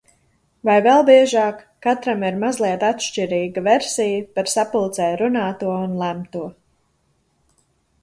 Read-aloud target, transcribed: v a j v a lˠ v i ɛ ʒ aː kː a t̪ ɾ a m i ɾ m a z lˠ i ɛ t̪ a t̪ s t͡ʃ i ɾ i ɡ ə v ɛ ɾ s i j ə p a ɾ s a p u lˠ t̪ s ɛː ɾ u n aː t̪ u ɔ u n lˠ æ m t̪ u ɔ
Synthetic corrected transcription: v a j v ɛ lˠ b i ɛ ʒ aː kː a t̪ ɾ a m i ɾ m a z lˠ i ɛ t̪ a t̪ ʃ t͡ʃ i ɾ iː ɡ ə v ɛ ɾ s i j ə p a ɾ s a p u lˠ t̪ s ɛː ɾ u n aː t̪ u ɔ u n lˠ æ m t̪ u ɔ